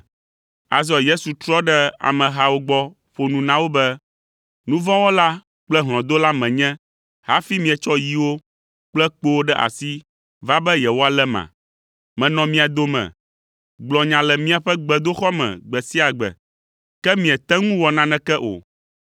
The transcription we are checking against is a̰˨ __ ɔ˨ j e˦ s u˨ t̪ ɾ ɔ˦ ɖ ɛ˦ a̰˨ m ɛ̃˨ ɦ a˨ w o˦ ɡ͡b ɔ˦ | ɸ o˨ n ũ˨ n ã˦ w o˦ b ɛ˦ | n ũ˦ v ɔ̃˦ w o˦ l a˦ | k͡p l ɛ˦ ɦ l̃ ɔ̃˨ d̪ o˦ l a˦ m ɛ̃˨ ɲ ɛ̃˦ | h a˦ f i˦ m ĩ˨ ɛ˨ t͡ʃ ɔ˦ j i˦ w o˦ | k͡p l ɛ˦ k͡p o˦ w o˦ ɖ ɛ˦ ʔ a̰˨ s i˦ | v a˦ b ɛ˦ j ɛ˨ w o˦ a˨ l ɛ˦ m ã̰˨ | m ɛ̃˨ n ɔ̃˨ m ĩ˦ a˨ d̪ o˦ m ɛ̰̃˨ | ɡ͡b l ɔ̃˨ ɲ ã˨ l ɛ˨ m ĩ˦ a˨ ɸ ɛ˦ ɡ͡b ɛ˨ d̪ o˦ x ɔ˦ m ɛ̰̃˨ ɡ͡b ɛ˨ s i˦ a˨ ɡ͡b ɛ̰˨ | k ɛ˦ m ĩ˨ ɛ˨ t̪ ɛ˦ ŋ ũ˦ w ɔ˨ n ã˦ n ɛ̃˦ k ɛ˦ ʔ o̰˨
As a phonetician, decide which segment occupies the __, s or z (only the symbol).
z